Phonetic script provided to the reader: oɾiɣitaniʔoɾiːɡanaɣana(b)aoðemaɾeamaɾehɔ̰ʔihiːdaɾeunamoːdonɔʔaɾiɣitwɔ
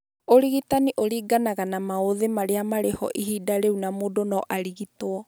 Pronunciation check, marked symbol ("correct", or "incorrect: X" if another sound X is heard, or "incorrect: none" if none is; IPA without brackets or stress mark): incorrect: m